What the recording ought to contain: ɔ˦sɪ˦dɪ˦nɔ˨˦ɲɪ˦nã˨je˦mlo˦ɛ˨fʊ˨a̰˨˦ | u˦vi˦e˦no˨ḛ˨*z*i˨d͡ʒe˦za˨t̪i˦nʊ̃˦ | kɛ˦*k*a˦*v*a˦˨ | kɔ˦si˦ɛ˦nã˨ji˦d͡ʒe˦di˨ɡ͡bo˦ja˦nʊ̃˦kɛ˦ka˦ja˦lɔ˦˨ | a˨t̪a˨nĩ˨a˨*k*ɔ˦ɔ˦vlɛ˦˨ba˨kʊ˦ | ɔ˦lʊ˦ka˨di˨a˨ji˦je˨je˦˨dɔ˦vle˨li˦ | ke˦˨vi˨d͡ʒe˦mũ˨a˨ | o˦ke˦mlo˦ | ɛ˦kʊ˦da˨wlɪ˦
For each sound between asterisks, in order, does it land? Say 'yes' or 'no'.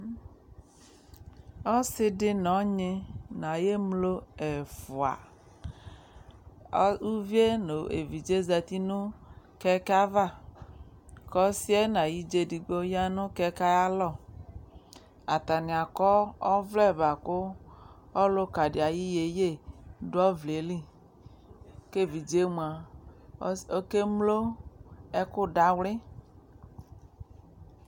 no, yes, yes, yes

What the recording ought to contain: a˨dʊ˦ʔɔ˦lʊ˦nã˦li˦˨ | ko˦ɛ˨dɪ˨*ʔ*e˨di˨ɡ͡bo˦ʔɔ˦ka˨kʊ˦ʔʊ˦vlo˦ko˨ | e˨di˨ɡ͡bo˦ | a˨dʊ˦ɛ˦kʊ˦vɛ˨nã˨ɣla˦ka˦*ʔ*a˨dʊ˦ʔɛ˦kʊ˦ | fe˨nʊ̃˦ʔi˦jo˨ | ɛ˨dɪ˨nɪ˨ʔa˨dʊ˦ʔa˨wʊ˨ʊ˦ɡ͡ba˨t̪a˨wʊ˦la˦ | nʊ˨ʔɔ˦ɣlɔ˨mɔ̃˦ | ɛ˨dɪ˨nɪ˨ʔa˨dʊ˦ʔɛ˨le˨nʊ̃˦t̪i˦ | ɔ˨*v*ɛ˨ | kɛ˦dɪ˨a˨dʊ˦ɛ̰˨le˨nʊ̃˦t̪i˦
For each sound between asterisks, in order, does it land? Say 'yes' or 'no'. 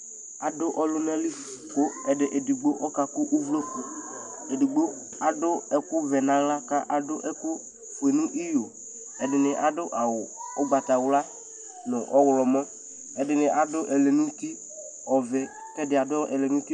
yes, yes, yes

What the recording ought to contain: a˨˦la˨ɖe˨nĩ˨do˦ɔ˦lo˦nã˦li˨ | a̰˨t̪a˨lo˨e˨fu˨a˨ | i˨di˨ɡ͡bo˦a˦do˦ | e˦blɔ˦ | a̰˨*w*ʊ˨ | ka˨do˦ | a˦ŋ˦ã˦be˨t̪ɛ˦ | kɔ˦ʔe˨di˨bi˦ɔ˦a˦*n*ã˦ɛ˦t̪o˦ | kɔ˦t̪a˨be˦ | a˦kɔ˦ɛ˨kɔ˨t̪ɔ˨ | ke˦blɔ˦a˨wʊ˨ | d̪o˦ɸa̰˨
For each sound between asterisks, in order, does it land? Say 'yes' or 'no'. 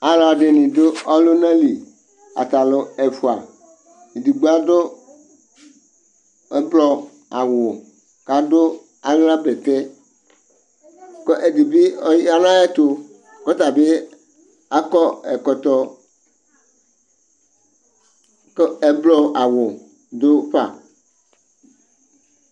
yes, yes

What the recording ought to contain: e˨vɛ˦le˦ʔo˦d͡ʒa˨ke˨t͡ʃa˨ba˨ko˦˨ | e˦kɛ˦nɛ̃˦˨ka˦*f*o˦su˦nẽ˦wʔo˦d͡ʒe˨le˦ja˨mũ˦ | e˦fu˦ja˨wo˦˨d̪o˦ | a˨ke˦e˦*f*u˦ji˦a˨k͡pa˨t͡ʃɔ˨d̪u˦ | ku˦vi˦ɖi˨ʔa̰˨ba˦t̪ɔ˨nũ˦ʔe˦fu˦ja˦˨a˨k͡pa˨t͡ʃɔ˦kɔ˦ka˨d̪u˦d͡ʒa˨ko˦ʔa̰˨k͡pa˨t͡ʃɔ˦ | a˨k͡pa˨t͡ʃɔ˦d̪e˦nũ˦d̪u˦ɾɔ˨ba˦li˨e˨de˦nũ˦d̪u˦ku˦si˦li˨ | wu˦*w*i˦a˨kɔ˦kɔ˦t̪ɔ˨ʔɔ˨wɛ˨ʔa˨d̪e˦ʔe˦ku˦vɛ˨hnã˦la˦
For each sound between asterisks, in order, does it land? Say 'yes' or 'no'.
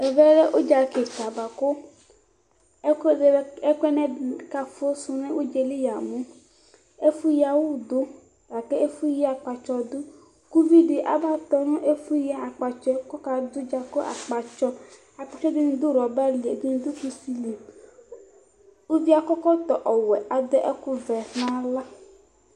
yes, yes, no

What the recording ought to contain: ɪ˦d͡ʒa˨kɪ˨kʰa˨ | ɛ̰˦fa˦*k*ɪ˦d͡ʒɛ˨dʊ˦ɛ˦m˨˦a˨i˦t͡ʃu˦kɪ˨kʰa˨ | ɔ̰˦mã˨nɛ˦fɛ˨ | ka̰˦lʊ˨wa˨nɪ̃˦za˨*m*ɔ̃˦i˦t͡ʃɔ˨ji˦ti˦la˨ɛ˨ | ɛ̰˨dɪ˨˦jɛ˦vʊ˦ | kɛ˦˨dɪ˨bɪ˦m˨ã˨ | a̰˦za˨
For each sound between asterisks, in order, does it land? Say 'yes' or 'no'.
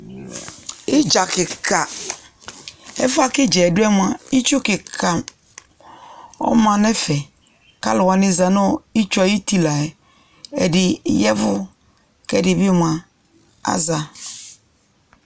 yes, no

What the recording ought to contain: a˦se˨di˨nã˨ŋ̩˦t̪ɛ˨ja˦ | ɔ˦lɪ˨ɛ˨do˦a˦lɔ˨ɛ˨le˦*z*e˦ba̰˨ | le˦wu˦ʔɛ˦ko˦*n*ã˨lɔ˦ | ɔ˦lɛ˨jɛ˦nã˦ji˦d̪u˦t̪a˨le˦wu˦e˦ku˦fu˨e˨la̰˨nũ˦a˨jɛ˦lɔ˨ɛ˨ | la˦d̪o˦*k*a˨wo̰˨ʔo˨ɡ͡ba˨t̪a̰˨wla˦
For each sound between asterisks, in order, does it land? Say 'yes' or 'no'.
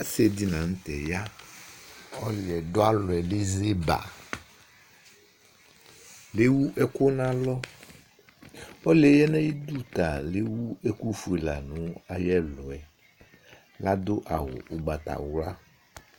yes, yes, no

